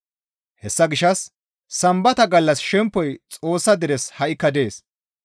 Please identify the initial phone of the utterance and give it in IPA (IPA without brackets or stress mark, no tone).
h